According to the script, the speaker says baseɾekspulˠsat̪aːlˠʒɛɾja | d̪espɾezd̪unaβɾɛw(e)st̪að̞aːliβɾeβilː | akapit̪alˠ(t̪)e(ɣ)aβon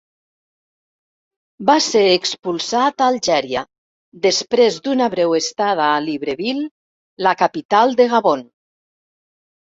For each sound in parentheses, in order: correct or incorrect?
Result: correct, incorrect, correct

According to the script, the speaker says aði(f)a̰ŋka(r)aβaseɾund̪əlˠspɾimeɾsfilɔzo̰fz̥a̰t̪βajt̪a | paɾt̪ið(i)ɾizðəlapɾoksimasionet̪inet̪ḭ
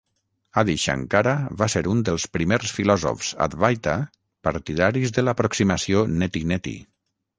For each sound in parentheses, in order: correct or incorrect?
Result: incorrect, incorrect, incorrect

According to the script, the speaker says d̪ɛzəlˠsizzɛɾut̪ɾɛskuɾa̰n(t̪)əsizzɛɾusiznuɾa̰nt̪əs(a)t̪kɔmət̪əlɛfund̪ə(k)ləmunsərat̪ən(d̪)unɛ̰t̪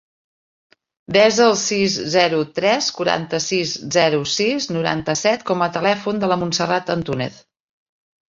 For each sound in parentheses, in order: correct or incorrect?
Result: correct, incorrect, incorrect, incorrect

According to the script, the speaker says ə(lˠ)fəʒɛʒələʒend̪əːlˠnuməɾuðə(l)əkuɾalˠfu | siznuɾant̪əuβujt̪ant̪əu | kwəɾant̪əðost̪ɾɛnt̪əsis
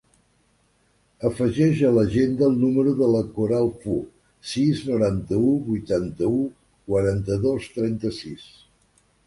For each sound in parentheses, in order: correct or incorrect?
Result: incorrect, correct

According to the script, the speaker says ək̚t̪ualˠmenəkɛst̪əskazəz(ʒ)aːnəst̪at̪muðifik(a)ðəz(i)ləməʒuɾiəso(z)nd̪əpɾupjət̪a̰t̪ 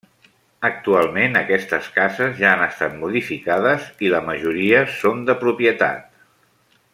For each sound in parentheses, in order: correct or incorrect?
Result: correct, correct, correct, incorrect

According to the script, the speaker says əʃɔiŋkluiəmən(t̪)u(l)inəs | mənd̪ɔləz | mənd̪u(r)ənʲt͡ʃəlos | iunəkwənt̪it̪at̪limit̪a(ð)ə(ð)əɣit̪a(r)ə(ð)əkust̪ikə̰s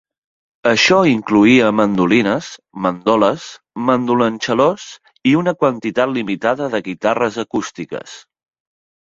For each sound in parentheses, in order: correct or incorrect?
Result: incorrect, correct, incorrect, correct, correct, correct, incorrect

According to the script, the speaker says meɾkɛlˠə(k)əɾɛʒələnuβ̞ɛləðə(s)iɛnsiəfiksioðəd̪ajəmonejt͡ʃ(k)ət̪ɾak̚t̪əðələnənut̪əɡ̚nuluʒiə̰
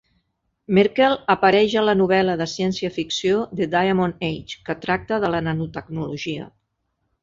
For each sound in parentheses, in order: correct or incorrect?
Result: incorrect, correct, correct

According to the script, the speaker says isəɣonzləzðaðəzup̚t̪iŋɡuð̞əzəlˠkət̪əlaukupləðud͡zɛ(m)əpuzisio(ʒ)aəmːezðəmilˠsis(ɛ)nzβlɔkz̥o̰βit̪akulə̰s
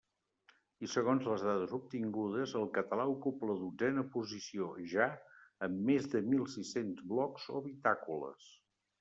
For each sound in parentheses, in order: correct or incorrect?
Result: incorrect, correct, incorrect

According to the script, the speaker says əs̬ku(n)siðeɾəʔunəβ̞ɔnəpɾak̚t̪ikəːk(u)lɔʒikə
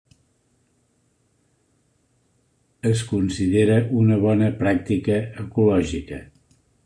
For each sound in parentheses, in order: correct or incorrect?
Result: correct, correct

